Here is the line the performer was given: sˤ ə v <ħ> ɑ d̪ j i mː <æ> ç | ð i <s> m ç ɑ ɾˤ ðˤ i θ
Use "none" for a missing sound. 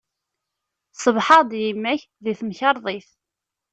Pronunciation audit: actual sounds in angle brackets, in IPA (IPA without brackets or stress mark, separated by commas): ħ, æ, θ